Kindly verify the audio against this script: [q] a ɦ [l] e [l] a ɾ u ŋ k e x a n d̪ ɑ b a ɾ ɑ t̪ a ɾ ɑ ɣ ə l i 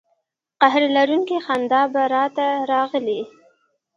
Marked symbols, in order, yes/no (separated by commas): yes, no, yes